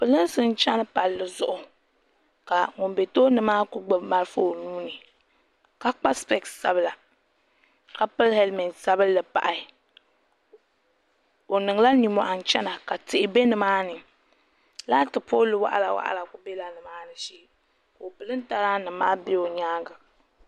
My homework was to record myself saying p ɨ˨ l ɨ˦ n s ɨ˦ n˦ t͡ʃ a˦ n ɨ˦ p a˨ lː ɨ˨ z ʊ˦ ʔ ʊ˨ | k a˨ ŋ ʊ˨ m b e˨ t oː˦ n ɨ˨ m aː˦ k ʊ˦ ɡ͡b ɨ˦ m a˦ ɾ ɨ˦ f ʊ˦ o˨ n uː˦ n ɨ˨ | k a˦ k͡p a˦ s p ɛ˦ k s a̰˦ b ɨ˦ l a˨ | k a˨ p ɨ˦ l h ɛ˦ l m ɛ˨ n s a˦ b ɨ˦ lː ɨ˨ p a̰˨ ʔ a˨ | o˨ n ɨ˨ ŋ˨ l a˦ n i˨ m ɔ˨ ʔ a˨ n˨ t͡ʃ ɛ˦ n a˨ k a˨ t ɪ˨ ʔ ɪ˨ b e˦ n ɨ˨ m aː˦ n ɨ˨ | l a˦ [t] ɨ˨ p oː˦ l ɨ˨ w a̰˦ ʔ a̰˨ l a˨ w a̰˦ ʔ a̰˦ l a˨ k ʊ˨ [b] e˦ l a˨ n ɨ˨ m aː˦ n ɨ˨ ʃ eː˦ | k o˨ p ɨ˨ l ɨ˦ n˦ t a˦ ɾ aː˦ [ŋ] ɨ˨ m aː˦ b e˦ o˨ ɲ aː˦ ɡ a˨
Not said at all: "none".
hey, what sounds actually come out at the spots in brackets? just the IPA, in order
t, b, n

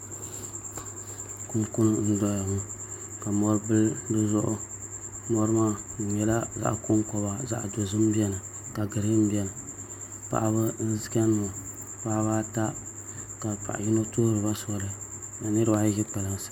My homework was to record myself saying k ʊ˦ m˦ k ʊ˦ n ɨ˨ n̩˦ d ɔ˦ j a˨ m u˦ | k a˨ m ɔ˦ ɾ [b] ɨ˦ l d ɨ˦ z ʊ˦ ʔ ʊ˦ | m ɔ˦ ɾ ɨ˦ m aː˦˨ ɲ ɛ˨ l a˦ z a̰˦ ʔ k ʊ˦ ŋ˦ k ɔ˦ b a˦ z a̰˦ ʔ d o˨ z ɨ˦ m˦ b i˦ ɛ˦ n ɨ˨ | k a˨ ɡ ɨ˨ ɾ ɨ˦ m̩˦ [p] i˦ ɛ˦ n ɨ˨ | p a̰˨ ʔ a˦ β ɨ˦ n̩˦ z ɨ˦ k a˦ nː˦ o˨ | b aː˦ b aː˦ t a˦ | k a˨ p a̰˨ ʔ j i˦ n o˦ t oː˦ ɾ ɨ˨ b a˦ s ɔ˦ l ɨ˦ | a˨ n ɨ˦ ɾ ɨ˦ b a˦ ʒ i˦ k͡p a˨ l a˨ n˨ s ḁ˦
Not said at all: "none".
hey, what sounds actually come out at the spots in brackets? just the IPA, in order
b, b

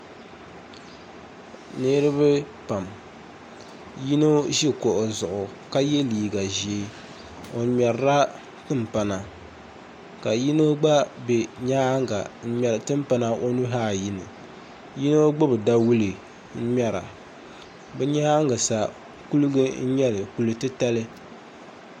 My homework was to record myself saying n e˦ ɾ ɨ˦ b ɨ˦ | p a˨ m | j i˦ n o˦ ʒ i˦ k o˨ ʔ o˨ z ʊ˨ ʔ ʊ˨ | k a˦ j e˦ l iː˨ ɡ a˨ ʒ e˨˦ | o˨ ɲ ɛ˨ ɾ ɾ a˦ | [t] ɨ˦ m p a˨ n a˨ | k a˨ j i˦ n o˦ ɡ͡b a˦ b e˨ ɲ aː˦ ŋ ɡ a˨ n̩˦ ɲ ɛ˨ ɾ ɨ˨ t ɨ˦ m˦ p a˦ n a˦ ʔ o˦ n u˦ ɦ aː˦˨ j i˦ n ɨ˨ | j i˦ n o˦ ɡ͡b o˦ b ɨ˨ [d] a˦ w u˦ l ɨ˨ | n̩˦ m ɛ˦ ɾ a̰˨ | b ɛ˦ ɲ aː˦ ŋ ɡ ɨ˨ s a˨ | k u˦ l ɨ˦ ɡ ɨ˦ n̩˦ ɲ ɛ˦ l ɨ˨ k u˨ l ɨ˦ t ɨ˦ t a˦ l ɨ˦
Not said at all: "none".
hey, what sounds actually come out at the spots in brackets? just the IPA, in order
t, d

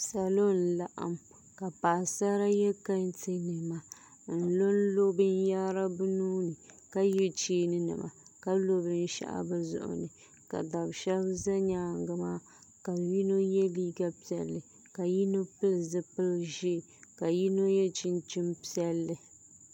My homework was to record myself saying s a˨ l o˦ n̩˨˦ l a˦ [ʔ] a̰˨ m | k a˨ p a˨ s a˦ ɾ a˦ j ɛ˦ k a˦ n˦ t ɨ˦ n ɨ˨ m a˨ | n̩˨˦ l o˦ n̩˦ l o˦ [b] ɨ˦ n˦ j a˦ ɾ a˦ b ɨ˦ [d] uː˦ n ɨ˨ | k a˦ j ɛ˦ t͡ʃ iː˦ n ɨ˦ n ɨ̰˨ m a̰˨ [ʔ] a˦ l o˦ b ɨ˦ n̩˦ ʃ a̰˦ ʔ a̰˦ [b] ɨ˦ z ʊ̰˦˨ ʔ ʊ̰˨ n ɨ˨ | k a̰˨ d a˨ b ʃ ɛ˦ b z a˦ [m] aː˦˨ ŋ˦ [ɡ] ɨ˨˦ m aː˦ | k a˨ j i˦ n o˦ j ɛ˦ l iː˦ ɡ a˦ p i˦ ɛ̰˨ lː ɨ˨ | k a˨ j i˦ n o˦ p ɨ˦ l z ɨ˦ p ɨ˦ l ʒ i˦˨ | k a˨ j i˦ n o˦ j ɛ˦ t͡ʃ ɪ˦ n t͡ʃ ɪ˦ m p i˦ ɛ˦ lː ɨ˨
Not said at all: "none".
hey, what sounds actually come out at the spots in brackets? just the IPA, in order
ʔ, b, n, k, b, ɲ, ɡ

